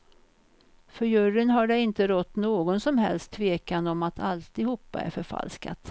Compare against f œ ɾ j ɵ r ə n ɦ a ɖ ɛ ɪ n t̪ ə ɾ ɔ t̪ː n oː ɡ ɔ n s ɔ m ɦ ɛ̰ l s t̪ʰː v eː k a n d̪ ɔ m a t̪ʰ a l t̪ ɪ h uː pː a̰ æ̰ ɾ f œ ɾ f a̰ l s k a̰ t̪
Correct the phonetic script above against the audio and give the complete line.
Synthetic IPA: f œ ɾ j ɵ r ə n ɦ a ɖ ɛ ɪ n t̪ ə ɾ ɔ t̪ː n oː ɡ ɔ n s ɔ m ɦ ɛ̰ l s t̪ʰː v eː k a n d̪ ɔ m a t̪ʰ a l t̪ ɪ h uː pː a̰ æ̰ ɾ f œ ɾ f a̰ l s k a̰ t̪